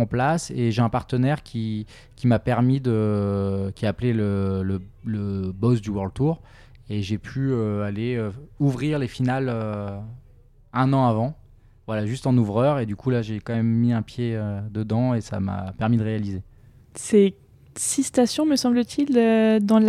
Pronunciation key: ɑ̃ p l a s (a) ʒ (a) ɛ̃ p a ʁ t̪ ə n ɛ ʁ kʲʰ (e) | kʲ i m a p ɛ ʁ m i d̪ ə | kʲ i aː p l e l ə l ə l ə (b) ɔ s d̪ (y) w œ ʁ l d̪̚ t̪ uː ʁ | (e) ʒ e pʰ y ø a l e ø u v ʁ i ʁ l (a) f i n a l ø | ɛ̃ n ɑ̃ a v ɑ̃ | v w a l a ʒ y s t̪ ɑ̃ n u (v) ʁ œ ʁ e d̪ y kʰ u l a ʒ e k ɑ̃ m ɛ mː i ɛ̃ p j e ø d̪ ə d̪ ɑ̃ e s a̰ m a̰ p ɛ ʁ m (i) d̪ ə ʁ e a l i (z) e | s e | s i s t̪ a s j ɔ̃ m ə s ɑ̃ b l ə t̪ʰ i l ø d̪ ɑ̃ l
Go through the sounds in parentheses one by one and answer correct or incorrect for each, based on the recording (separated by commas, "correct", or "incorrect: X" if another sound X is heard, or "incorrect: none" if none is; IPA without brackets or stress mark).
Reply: incorrect: e, incorrect: e, incorrect: i, correct, correct, correct, incorrect: e, correct, correct, correct